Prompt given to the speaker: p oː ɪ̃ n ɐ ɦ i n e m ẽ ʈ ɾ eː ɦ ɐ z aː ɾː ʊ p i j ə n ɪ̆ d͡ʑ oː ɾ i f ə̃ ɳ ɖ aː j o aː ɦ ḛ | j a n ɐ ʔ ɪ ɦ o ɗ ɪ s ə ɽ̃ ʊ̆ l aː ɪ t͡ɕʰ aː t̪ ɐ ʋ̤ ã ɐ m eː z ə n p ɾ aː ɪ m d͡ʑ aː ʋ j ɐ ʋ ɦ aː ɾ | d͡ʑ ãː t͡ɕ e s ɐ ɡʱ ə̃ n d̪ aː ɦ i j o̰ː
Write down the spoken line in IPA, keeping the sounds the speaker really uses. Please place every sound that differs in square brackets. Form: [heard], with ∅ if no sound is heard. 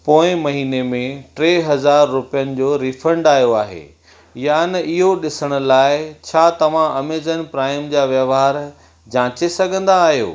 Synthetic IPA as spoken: p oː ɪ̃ [m] ɐ ɦ [iː] n e m ẽ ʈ ɾ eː ɦ ɐ z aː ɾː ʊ p i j ə n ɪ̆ d͡ʑ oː ɾ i f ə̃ ɳ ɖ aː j o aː ɦ ḛ | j a n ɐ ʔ ɪ ɦ o ɗ ɪ s ə ɽ̃ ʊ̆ l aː ɪ t͡ɕʰ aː t̪ ɐ ʋ̤ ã ɐ m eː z ə n p ɾ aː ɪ m d͡ʑ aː ʋ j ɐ ʋ ɦ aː ɾ | d͡ʑ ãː t͡ɕ e s ɐ ɡʱ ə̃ n d̪ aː ɦ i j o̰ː